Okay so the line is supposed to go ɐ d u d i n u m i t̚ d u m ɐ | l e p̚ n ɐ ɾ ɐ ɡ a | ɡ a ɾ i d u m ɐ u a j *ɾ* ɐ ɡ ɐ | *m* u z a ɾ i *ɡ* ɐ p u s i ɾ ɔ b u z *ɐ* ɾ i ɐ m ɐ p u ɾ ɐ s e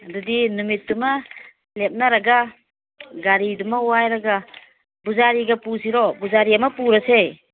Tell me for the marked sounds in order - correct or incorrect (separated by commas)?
correct, incorrect, correct, incorrect